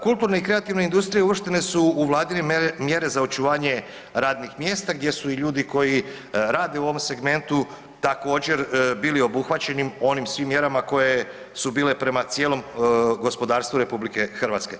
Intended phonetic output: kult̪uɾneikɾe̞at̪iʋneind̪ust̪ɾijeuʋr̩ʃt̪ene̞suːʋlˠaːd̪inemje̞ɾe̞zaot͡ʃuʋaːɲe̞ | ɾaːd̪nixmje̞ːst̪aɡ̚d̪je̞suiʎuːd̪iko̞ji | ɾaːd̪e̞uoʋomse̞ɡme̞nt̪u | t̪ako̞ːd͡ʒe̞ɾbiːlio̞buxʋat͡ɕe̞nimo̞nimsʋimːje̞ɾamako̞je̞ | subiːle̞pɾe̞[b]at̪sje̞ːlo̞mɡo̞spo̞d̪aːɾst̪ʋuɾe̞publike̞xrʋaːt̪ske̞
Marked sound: incorrect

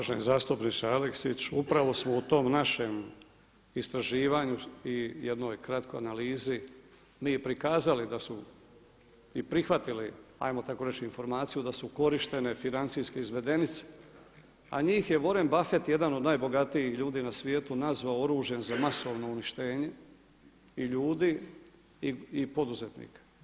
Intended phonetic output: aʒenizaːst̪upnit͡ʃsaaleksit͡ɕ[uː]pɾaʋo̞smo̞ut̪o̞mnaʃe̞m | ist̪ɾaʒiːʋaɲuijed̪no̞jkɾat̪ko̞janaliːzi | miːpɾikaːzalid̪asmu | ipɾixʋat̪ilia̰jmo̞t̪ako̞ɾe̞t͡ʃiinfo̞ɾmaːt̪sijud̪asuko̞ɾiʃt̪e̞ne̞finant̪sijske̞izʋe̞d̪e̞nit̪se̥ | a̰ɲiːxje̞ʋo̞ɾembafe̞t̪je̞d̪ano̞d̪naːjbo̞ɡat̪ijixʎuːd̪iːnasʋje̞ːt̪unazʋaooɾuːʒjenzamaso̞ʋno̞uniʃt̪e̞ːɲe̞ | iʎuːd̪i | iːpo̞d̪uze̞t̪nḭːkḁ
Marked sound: incorrect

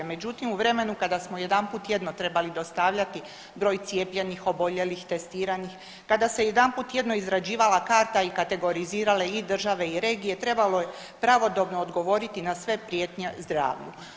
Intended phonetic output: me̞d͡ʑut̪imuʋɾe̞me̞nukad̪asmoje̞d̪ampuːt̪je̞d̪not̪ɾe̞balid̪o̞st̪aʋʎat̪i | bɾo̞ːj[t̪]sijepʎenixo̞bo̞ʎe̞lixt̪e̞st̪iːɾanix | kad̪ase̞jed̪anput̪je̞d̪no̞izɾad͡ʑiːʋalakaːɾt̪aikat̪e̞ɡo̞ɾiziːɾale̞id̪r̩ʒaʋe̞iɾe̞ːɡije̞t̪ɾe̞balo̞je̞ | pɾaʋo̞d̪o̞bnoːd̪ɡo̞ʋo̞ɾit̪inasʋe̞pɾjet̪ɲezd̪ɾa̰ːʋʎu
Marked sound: correct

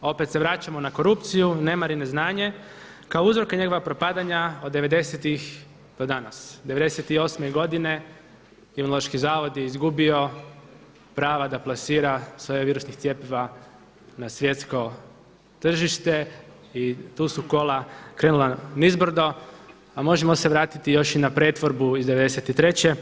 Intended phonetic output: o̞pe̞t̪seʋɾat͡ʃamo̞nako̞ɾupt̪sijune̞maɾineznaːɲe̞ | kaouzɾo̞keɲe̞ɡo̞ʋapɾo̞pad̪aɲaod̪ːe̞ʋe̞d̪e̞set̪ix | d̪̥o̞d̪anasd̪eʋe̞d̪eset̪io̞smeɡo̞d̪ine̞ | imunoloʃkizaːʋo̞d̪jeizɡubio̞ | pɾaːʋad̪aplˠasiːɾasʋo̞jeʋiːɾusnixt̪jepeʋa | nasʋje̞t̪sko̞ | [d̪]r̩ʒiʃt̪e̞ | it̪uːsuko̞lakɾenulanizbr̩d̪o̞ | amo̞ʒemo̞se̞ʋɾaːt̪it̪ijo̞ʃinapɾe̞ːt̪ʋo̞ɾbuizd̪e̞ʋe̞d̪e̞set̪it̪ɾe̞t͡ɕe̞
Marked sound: incorrect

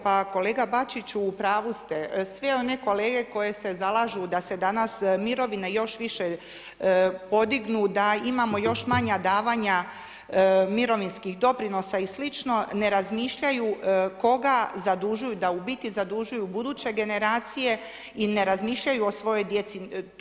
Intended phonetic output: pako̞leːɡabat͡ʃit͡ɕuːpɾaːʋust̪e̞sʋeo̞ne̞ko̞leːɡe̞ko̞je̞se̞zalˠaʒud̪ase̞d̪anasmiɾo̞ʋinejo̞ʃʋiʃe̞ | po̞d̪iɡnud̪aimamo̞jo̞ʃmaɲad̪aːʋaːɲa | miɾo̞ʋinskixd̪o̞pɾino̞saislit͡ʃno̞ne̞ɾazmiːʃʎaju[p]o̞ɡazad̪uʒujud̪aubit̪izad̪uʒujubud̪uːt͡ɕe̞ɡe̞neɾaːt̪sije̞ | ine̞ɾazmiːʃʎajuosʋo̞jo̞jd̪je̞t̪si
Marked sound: incorrect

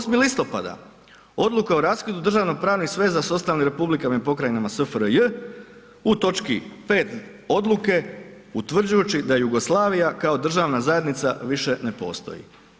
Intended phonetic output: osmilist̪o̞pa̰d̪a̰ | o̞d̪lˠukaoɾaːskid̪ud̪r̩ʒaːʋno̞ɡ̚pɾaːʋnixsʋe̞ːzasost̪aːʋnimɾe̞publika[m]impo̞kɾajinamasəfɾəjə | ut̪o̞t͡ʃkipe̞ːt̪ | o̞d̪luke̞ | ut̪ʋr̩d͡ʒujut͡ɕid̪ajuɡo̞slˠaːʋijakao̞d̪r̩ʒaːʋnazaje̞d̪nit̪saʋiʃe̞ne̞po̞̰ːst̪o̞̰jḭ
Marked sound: correct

